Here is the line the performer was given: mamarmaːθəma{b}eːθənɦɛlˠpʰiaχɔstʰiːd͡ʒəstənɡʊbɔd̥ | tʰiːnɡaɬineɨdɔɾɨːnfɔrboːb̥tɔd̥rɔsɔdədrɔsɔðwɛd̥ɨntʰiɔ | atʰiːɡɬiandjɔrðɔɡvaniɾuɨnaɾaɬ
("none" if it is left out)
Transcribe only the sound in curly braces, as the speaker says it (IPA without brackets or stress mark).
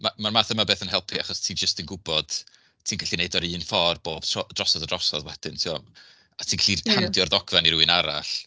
b